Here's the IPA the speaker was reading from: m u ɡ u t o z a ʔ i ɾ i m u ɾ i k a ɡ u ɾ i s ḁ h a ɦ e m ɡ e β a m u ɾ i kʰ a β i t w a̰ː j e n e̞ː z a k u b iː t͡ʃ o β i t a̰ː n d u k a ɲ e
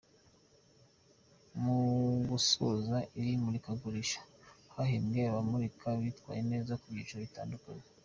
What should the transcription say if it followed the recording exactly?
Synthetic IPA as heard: m u ɡ u s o z a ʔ i ɾ i m u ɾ i k a ɡ u ɾ i ʃ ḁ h a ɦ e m ɡ e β a m u ɾ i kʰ a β i t w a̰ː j e n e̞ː z a k u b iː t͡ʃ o β i t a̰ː n d u k a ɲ e